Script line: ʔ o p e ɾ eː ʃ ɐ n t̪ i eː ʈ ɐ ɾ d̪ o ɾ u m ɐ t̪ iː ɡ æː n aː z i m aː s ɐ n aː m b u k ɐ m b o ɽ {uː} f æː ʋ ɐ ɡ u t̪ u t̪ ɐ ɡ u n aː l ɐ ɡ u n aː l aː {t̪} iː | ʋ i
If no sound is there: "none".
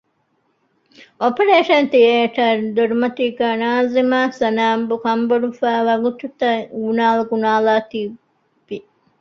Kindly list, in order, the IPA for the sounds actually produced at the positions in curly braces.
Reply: u, t̪

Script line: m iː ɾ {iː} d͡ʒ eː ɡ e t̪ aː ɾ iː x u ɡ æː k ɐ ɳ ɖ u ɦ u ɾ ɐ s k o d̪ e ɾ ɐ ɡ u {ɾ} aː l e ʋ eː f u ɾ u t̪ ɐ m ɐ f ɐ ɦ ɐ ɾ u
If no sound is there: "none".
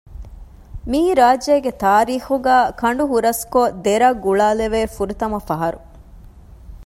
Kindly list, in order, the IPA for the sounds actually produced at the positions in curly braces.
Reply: aː, ɭ

